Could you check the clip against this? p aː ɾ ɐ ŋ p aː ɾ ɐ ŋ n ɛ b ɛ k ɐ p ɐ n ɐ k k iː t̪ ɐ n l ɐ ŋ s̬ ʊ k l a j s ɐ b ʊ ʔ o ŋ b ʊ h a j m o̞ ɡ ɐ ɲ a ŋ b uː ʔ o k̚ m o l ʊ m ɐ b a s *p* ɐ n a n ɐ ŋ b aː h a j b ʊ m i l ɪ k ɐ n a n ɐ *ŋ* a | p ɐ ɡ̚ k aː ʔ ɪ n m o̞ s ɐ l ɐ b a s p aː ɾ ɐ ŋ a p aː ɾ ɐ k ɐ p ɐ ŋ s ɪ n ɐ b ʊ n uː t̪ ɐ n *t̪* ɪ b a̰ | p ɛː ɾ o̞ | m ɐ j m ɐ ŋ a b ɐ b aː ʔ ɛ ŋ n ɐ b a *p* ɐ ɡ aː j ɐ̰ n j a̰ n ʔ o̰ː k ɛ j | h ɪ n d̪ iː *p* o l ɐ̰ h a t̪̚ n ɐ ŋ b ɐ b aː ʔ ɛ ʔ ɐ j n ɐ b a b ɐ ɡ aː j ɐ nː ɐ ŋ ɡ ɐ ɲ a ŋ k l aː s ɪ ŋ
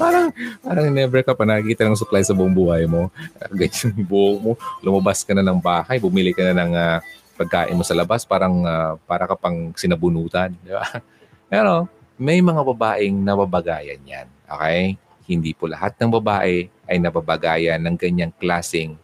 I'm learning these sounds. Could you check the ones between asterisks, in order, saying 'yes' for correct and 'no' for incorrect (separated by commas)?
no, yes, no, no, yes